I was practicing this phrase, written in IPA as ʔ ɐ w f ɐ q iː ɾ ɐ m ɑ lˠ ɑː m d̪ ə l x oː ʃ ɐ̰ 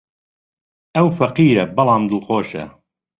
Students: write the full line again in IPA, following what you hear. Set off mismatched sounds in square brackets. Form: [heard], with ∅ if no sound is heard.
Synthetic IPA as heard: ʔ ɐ w f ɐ q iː ɾ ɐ [b] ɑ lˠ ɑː m d̪ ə l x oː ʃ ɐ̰